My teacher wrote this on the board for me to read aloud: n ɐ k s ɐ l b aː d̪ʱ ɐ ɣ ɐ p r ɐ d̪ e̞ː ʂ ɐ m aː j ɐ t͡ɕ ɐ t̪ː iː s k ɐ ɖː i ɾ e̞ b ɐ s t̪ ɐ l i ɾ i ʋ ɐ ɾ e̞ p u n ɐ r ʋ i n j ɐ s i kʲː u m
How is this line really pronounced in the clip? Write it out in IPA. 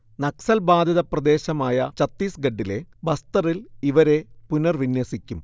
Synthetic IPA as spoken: n ɐ k s ɐ l b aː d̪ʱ ɐ ð ɐ p r ɐ d̪ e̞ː ɕ ɐ m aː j ɐ t͡ɕ ɐ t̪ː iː s ɡ ɐ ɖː i l e̞ b ɐ s t̪ ɐ r i l i ʋ ɐ ɾ e̞ p u n ɐ r ʋ i n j ɐ s i kʲː u m